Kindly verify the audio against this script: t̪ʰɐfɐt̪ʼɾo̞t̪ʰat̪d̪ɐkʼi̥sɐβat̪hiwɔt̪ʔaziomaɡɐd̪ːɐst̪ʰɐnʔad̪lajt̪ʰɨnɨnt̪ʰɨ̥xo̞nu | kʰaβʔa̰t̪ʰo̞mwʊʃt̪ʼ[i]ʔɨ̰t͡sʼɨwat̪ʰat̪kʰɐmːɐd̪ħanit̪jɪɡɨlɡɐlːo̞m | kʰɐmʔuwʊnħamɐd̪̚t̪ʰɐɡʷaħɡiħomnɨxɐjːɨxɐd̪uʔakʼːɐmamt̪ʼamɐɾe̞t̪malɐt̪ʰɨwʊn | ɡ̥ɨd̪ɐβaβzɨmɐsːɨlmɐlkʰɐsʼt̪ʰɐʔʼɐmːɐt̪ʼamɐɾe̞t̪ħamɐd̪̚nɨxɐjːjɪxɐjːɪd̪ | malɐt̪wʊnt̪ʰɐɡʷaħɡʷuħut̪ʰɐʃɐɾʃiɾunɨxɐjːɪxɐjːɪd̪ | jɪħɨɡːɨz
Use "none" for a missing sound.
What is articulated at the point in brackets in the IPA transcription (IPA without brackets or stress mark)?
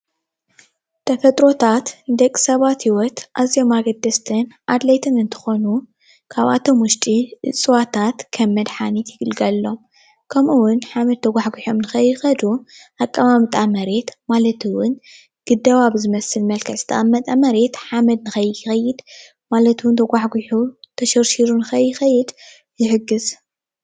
i